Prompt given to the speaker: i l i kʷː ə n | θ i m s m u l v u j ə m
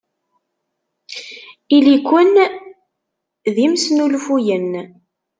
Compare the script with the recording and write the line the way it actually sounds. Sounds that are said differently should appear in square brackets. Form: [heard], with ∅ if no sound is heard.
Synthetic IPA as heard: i l i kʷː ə n | [ð] i m s [n] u l [f] u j ə [n]